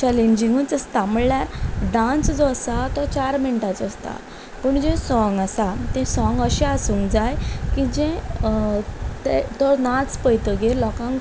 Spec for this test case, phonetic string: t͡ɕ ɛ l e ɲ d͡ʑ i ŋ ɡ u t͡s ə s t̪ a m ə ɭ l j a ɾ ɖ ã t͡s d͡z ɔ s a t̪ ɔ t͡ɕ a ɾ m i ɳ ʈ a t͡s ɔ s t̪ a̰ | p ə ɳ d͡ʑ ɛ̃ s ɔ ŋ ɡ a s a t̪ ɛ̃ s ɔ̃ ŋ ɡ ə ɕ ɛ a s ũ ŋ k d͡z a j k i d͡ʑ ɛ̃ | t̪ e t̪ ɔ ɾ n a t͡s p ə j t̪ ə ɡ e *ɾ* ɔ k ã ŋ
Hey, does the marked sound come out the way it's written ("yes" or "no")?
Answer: no